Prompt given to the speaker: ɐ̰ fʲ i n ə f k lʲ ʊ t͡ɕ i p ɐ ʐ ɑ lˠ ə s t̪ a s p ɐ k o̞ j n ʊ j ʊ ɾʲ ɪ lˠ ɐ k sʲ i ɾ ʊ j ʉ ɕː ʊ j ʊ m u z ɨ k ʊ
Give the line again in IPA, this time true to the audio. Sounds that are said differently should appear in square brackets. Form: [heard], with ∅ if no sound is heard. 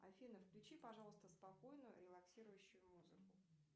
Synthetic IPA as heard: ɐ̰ fʲ i n ə f k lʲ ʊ t͡ɕ i p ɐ ʐ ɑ lˠ ə s t̪ [ə] s p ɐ k o̞ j n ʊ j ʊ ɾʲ ɪ lˠ ɐ k sʲ i ɾ ʊ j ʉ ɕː ʊ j ʊ m u z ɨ k ʊ